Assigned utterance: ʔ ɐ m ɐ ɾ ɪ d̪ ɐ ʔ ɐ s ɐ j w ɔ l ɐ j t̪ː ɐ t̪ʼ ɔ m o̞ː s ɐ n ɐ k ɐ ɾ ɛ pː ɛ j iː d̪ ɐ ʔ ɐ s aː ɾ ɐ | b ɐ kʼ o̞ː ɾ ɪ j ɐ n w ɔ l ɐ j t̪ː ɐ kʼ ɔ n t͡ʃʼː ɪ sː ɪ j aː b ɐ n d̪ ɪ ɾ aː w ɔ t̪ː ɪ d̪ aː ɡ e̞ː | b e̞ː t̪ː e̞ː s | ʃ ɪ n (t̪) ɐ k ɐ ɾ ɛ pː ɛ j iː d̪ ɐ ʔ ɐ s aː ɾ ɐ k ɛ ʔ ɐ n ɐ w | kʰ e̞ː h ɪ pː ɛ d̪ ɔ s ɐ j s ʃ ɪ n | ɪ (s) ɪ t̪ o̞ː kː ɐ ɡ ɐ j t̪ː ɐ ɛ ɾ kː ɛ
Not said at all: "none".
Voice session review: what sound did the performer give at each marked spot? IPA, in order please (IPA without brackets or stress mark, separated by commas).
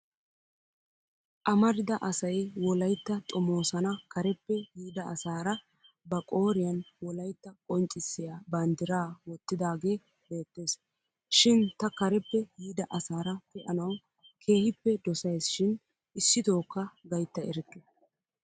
t̪, sː